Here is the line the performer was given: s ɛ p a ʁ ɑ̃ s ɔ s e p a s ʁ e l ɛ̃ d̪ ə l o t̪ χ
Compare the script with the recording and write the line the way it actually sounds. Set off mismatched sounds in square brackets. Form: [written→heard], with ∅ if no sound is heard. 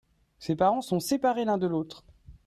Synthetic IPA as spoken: s [ɛ→e] p a ʁ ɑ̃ s [ɔ→ɔ̃] s e p a [s→∅] ʁ e l ɛ̃ d̪ ə l o t̪ χ